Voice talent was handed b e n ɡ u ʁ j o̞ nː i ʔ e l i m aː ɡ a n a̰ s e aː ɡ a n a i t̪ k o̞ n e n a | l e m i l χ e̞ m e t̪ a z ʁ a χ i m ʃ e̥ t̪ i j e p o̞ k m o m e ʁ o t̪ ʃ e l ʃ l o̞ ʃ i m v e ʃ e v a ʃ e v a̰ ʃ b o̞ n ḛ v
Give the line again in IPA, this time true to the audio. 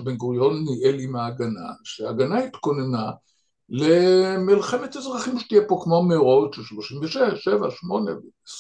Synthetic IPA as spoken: b e n ɡ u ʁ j o̞ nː i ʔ e l i m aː ɡ a n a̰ ʃ e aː ɡ a n a i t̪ k o̞ n e n a | l e m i l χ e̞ m e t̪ a z ʁ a χ i m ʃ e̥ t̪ i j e p o̞ k m o m e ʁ o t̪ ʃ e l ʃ l o̞ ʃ i m v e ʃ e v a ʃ e v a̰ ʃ m o̞ n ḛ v